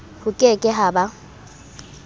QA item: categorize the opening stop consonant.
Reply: ejective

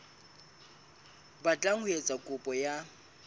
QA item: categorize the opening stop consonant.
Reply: plain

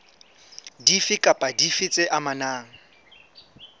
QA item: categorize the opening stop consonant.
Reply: plain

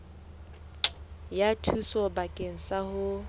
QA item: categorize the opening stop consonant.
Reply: aspirated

